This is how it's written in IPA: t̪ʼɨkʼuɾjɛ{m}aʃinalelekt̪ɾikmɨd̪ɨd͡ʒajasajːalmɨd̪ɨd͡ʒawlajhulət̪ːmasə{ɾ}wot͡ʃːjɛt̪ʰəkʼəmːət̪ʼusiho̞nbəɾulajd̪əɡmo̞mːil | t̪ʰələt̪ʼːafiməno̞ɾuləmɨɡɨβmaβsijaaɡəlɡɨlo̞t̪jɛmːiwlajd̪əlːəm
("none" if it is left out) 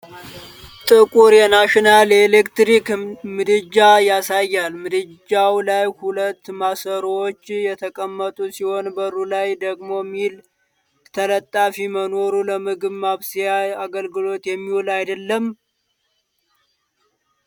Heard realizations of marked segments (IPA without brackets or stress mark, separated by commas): n, ɾ